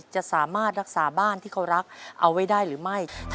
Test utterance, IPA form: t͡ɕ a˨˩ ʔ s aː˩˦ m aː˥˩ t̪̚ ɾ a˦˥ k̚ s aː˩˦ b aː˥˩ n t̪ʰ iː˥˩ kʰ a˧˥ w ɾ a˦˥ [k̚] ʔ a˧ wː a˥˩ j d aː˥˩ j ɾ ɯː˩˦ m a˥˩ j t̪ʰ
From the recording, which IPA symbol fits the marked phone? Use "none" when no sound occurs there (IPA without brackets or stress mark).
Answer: k̚